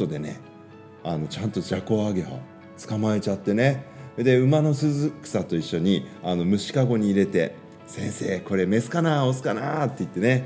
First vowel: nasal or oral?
oral